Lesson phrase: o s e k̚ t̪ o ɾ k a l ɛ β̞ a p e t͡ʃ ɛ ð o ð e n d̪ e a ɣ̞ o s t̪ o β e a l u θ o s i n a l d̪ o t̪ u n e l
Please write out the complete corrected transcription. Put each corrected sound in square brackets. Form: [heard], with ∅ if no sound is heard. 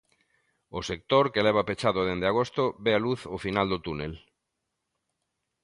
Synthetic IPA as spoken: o s e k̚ t̪ o ɾ k [e] l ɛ β̞ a p e t͡ʃ [a] ð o ð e n d̪ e a ɣ̞ o s t̪ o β e a l u θ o [f] i n a l d̪ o t̪ u n e l